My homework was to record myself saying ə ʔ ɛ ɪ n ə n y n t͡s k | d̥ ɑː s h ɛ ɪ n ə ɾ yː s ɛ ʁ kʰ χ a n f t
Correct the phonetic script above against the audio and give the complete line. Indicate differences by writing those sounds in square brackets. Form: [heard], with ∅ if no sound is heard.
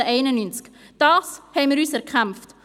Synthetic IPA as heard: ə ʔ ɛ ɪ n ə n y n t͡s k | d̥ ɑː s h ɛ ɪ [m] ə ɾ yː s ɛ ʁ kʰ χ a [m] f t

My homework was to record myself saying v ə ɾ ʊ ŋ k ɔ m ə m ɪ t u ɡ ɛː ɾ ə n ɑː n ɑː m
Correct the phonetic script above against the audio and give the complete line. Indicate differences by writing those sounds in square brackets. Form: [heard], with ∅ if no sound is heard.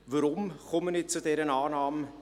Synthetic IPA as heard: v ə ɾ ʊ [m] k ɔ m ə [n] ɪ [t͡s] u [d] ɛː ɾ ə n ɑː n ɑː m

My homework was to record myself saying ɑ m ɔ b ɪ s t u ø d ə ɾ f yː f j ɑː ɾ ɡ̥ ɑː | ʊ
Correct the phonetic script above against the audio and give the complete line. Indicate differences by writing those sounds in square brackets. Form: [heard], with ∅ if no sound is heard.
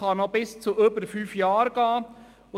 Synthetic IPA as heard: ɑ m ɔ b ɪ s [t͡s] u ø [b] ə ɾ f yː f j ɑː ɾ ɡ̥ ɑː | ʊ

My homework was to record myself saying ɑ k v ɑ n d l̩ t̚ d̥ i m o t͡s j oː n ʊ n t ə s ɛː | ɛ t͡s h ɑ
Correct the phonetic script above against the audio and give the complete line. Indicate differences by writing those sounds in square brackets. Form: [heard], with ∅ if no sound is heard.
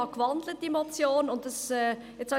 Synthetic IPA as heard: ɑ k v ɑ n d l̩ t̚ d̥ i m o t͡s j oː n ʊ n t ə s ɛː | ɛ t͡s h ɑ

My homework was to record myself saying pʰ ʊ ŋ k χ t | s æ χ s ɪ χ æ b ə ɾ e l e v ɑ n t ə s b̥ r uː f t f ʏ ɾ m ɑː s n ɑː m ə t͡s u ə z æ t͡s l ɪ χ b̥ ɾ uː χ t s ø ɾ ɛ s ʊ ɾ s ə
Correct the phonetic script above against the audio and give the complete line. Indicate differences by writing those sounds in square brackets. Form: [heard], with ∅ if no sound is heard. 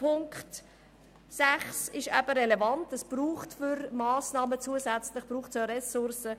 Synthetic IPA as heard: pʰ ʊ ŋ k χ t | s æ χ s ɪ [ʃ] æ b ə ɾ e l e v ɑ n t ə s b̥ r uː [χ] t f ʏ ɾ m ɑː s n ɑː m ə t͡s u ə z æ t͡s l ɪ χ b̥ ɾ uː χ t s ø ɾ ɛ s ʊ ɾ s ə

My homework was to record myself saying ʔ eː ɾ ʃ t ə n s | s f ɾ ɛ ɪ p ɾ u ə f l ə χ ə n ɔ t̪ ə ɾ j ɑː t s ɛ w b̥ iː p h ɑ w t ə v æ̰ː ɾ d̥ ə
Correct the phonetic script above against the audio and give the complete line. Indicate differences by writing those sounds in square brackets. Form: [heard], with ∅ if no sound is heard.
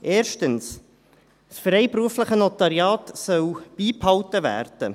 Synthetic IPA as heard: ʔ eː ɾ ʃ t ə n s | s f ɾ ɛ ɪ p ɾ u ə f l ə χ ə n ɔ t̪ [ɑ] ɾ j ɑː t s [œ] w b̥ iː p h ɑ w t ə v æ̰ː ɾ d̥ ə

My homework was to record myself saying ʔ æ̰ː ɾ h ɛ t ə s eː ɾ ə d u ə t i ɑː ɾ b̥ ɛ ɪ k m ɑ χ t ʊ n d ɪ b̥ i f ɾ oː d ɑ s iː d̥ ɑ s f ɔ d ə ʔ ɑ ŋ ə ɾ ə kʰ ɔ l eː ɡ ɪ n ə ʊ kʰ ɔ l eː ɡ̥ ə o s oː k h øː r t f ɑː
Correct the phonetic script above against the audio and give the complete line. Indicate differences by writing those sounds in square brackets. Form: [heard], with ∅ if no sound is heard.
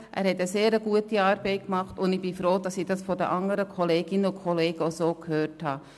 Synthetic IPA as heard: ʔ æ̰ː ɾ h ɛ t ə s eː ɾ ə [ɡ] u ə t i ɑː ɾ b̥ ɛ ɪ k m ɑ χ t ʊ n d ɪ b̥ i f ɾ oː d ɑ s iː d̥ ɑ s f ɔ d ə ʔ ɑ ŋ ə ɾ ə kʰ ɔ l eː ɡ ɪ n ə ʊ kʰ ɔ l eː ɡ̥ ə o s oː k h øː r t [h] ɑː

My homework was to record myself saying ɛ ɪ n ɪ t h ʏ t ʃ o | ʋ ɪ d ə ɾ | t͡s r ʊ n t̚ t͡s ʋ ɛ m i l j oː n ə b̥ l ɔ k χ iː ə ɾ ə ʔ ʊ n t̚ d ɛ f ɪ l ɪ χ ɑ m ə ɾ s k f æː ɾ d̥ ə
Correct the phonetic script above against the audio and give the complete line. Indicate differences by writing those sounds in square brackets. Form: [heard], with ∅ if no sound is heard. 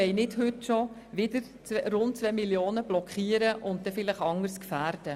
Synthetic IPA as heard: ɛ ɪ n ɪ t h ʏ t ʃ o | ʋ ɪ d ə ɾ | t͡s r ʊ n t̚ t͡s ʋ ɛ m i l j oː n ə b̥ l ɔ k χ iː ə ɾ ə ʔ ʊ n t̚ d ɛ f ɪ l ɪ χ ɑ [ŋ] ə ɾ s k f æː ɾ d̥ ə

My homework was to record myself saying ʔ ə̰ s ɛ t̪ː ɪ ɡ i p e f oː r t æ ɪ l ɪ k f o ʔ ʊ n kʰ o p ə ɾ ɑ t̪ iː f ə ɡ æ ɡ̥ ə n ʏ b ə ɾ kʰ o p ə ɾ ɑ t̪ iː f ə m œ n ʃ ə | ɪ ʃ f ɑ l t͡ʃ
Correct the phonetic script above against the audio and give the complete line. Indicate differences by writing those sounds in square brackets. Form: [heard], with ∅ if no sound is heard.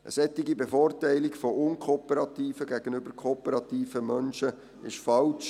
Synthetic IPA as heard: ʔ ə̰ s ɛ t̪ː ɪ ɡ i [b] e f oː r t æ ɪ l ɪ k f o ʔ ʊ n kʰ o p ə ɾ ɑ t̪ iː f ə ɡ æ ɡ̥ ə n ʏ b ə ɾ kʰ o p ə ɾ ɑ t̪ iː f ə m œ n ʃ ə | ɪ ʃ f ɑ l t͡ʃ

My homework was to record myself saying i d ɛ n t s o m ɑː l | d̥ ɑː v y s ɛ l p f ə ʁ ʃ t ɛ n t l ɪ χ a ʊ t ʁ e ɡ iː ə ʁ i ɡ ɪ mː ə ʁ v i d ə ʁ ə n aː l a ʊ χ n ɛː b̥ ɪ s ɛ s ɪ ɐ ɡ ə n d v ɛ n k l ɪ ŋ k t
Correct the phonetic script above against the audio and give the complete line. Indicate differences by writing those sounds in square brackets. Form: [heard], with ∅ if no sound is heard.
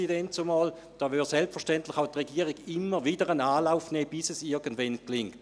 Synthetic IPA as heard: i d ɛ n t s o m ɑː l | d̥ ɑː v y s ɛ l p f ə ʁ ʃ t ɛ n t l ɪ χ a ʊ t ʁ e ɡ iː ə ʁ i ɡ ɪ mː ə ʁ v i d ə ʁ ə n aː l a ʊ [f] n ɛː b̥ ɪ s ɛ s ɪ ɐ ɡ ə n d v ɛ n k l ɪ ŋ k t

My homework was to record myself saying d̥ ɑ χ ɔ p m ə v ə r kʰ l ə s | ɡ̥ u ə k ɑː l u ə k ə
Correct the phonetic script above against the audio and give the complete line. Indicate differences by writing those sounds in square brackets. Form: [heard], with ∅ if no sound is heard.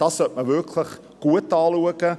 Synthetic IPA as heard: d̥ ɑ [s] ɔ [t] m ə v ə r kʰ l ə [χ] | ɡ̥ u ə [t] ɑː l u ə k ə

